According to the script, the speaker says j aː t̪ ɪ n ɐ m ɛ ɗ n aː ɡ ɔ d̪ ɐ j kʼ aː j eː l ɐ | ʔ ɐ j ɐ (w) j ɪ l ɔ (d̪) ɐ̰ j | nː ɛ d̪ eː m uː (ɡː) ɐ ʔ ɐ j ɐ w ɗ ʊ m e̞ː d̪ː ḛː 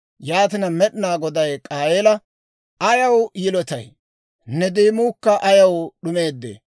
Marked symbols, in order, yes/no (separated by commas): yes, no, no